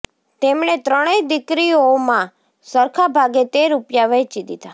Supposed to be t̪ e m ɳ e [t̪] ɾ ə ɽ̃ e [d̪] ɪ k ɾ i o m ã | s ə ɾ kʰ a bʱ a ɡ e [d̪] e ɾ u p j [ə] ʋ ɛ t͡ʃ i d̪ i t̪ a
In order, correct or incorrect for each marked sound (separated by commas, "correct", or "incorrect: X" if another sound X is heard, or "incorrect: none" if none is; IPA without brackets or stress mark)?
correct, correct, incorrect: t̪, incorrect: a